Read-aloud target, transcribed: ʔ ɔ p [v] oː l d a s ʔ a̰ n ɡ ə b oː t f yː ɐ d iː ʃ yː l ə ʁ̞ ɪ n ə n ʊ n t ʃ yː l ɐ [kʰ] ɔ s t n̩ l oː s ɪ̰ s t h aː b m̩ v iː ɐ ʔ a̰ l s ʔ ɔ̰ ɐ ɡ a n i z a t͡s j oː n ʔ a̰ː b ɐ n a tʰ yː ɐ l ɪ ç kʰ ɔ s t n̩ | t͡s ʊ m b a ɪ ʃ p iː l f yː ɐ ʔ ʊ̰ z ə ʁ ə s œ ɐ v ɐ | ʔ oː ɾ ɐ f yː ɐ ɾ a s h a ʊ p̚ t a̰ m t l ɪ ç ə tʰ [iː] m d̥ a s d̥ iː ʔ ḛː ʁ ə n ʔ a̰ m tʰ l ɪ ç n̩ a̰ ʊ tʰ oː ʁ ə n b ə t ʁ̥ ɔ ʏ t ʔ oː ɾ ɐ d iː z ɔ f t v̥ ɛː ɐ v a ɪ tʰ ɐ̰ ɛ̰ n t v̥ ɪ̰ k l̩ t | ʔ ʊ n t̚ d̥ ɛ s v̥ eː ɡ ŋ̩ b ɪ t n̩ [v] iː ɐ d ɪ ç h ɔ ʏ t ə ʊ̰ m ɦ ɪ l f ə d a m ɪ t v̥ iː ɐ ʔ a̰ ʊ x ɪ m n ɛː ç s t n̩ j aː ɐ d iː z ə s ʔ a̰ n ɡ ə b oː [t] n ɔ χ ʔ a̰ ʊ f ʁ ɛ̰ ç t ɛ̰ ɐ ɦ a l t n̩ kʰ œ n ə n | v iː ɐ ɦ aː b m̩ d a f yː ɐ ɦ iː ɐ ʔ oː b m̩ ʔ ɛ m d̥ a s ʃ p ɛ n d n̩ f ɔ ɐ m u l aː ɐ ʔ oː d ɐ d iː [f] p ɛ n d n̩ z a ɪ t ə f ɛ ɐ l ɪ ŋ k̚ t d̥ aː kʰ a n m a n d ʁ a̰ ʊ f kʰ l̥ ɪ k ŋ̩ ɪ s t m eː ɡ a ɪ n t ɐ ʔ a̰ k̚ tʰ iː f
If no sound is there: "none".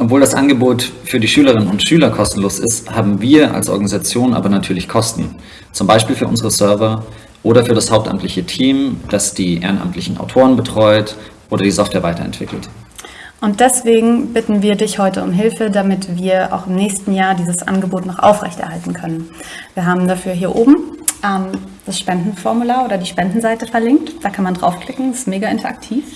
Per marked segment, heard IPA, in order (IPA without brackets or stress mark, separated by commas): v, kʰ, iː, v, t, ʃ